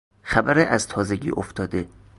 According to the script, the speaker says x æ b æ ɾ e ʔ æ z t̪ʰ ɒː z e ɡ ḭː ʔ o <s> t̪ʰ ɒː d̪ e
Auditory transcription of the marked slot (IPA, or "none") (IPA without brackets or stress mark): f